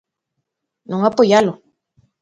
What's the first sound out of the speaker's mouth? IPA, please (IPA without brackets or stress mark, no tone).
n